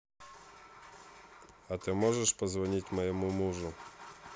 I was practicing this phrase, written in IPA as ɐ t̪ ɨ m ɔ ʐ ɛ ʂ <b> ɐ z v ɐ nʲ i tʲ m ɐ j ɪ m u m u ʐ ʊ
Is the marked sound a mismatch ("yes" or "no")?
yes